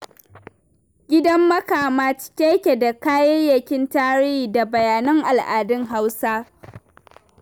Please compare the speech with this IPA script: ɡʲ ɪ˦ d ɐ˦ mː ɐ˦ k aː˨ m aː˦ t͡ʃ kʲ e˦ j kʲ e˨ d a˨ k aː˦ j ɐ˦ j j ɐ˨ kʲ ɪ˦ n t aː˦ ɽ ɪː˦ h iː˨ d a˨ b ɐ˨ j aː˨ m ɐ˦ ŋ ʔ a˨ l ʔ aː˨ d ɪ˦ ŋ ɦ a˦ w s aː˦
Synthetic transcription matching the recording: ɡʲ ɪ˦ d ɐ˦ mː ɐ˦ k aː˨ m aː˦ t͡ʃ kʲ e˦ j kʲ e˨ d a˨ k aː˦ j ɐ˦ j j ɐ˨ kʲ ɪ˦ n t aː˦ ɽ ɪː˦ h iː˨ d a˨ b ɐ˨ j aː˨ n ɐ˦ ŋ ʔ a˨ l ʔ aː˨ d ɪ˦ ŋ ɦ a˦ w s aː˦